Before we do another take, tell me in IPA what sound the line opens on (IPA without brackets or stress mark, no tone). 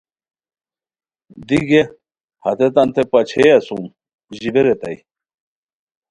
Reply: d̪